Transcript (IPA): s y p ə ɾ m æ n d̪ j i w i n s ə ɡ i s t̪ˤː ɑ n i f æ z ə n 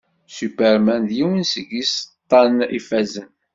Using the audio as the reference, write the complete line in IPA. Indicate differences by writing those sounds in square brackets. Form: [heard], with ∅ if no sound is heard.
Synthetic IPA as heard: s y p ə ɾ m æ n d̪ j i w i n s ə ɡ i s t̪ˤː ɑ n i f æ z ə n